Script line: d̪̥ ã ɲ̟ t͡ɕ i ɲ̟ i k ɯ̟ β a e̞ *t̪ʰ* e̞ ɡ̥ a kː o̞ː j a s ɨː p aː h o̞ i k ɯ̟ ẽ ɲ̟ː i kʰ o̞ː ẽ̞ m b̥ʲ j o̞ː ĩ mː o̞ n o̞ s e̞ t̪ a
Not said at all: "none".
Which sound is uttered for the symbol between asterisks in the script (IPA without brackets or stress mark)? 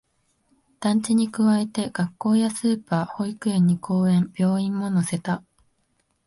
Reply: t̪